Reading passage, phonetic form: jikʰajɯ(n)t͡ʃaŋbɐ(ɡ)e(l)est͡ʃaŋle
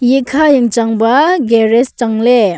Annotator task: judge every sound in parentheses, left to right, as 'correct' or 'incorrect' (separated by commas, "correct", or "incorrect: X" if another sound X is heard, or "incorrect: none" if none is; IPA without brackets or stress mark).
incorrect: ŋ, correct, incorrect: ɾ